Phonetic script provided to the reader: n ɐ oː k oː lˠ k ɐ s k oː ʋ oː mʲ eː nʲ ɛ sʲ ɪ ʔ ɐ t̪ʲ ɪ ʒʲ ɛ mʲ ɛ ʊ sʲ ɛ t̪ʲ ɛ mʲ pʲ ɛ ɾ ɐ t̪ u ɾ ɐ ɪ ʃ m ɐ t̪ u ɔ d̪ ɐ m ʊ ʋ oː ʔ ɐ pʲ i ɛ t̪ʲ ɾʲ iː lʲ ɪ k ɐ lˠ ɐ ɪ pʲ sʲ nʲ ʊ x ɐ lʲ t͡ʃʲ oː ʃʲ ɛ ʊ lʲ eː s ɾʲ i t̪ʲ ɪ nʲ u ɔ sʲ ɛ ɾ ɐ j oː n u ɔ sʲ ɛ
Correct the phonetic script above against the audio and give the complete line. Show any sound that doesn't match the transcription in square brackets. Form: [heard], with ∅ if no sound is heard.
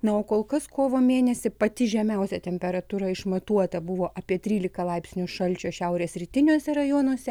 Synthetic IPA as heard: n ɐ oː k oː lˠ k ɐ s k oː ʋ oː mʲ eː nʲ ɛ sʲ ɪ [p] ɐ t̪ʲ ɪ ʒʲ ɛ mʲ ɛ ʊ sʲ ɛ t̪ʲ ɛ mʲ pʲ ɛ ɾ ɐ t̪ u ɾ ɐ ɪ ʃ m ɐ t̪ u ɔ [t̪] ɐ [b] ʊ ʋ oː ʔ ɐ pʲ i ɛ t̪ʲ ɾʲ iː lʲ ɪ k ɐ lˠ ɐ ɪ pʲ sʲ nʲ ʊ [ʃ] ɐ lʲ t͡ʃʲ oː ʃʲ ɛ ʊ [ɾʲ] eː s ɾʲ i t̪ʲ ɪ nʲ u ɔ sʲ ɛ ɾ ɐ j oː n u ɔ sʲ ɛ